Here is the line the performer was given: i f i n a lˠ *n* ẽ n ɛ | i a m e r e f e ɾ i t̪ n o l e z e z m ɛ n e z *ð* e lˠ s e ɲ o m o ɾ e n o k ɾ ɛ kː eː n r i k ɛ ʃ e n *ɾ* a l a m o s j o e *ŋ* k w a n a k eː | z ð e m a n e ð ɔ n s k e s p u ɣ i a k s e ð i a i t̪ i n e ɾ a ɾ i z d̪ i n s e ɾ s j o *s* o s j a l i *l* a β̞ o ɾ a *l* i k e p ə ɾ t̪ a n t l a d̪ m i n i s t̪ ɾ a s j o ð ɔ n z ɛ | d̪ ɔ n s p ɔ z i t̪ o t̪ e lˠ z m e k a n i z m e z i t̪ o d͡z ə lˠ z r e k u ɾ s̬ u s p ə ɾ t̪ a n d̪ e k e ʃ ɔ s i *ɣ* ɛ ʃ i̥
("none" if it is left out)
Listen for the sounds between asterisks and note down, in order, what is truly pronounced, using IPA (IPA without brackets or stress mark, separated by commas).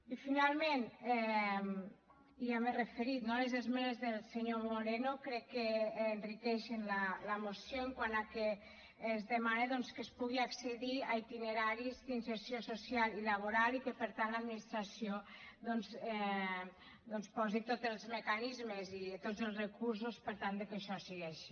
m, ð, l, ŋ, s, l, l, ɣ